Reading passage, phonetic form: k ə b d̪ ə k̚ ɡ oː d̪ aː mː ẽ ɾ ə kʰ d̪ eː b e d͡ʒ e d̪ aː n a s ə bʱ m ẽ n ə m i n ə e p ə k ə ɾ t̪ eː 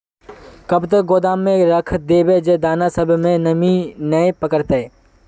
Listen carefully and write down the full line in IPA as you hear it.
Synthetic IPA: k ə b t̪ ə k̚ ɡ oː d̪ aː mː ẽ ɾ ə kʰ d̪ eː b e d͡ʒ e d̪ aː n a s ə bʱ m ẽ n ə m i n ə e p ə k ə ɾ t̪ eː